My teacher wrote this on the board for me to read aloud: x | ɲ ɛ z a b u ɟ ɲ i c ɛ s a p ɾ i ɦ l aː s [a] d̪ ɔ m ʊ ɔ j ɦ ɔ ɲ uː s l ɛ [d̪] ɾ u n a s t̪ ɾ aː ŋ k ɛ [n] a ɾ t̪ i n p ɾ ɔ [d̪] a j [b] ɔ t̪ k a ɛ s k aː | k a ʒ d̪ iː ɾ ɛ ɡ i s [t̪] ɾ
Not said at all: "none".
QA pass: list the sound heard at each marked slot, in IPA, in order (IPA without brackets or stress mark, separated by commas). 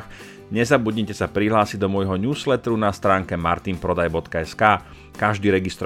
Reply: i, t̪, m, d̪, b, t̪